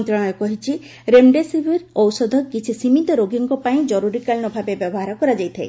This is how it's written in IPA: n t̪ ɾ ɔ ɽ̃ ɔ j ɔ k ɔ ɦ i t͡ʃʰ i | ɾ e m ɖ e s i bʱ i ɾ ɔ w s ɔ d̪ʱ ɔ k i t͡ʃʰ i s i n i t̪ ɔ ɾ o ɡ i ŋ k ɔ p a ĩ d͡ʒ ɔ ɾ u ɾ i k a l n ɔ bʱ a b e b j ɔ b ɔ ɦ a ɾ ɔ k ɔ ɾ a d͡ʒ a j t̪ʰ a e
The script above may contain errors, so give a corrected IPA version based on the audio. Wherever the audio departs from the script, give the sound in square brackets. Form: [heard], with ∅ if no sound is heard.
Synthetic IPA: n t̪ ɾ ɔ ɽ̃ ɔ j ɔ k ɔ ɦ i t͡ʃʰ i | ɾ e m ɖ e s i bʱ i ɾ ɔ w s ɔ d̪ʱ ɔ k i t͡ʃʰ i s i [m] i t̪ ɔ ɾ o ɡ i ŋ k ɔ p a ĩ d͡ʒ ɔ ɾ u ɾ i k a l n ɔ bʱ a b e b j ɔ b ɔ ɦ a ɾ ɔ k ɔ ɾ a d͡ʒ a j t̪ʰ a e